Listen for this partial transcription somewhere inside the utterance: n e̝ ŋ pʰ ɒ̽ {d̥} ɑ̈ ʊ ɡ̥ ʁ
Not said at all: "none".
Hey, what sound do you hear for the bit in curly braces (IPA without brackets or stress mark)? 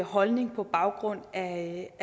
b̥